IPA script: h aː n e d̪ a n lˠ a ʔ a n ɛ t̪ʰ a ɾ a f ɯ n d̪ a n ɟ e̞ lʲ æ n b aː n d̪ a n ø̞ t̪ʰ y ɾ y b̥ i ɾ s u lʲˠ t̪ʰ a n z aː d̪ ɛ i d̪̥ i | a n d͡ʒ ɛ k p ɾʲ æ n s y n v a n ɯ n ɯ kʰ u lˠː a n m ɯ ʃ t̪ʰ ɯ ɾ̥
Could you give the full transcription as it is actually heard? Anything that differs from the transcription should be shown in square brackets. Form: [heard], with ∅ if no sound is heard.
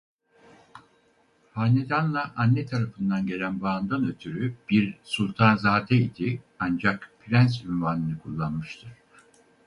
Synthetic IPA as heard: h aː n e d̪ a n lˠ a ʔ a [nː] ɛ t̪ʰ a ɾ a f ɯ n d̪ a n ɟ e̞ lʲ æ n b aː n d̪ a n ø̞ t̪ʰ y ɾ y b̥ i ɾ s u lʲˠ t̪ʰ a n z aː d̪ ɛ i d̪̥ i | a n d͡ʒ [a] k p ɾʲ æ n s y n v a n ɯ n ɯ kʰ u lˠː a n m ɯ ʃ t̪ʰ ɯ ɾ̥